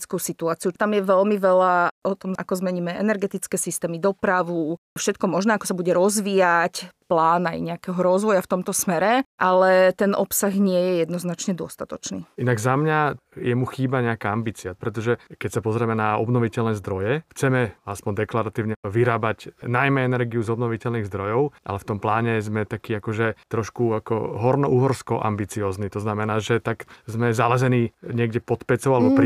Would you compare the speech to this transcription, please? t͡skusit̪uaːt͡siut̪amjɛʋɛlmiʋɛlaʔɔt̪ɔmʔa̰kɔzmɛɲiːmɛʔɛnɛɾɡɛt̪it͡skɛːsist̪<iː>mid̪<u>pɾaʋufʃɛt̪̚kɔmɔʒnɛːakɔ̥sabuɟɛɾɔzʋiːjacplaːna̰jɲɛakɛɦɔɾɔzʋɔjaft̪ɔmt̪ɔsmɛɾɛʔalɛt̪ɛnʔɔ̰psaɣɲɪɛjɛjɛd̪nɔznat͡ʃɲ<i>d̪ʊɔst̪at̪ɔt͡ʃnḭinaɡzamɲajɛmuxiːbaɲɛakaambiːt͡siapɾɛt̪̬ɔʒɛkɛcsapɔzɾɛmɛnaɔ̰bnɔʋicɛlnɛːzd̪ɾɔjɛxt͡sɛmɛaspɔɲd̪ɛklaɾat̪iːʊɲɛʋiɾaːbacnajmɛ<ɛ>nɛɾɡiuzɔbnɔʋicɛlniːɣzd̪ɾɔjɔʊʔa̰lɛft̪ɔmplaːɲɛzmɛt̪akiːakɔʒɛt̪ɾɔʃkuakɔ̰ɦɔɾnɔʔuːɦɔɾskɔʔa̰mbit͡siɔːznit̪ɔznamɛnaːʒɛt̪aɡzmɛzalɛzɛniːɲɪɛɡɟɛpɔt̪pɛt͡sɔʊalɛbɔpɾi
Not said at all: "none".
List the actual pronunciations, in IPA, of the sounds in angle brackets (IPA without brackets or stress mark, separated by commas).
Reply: ɛː, ɔ, ɛ, ɛ